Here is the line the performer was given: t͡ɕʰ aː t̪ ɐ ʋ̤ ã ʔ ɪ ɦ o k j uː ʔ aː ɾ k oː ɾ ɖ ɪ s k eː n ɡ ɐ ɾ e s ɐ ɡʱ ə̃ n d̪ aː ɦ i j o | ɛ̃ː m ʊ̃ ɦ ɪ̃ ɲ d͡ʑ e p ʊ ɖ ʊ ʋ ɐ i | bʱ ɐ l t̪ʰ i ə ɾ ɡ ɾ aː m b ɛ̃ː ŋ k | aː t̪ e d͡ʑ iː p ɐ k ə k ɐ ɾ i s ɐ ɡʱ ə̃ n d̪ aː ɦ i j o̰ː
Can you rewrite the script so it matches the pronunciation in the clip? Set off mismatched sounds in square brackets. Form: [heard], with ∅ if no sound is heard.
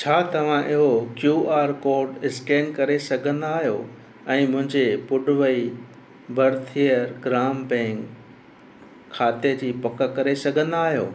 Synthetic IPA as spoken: t͡ɕʰ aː t̪ ɐ ʋ̤ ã ʔ ɪ ɦ o k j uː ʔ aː ɾ k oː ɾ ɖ ɪ s k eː n [k] ɐ ɾ e s ɐ ɡʱ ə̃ n d̪ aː ɦ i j o | ɛ̃ː m ʊ̃ ɦ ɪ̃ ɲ d͡ʑ e p ʊ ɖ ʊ ʋ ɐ i | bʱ ɐ [ɾ] t̪ʰ i ə ɾ ɡ ɾ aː m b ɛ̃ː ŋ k | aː t̪ e d͡ʑ iː p ɐ k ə k ɐ ɾ [e] s ɐ ɡʱ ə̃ n d̪ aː ɦ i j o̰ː